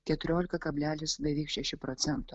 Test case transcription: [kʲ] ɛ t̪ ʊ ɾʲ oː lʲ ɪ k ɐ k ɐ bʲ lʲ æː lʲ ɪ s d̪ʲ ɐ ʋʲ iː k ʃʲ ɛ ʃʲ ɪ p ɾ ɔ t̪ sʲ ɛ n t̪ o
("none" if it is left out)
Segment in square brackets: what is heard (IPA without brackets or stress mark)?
kʲ